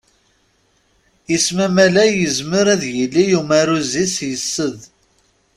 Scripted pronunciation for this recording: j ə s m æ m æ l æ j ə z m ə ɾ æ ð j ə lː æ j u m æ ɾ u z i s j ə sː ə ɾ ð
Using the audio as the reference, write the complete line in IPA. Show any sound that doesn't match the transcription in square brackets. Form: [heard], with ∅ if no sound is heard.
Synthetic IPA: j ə s m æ m æ l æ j ə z m ə ɾ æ ð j ə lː [i] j u m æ ɾ u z i s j ə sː ə [∅] ð